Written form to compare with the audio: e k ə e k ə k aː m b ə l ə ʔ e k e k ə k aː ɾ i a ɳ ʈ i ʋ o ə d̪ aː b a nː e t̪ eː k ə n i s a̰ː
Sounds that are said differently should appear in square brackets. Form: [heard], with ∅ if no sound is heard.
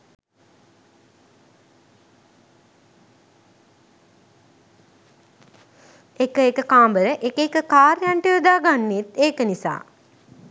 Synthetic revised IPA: e k ə e k ə k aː m b ə [ɾ] ə ʔ e k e k ə k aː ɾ [j] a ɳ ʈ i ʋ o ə d̪ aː [ɡ] a nː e t̪ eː k ə n i s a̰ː